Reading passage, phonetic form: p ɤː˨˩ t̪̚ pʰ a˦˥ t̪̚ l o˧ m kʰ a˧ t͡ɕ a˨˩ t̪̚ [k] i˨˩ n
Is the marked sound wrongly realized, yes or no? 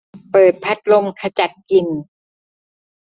no